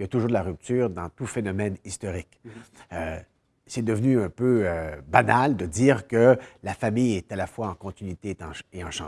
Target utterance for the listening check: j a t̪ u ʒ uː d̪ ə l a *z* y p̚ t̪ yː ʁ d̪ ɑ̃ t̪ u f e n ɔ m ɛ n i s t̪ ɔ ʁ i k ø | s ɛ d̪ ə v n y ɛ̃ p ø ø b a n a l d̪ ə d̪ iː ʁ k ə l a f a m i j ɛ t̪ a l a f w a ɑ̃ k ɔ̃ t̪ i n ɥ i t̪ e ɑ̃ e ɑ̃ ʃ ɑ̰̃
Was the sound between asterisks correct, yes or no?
no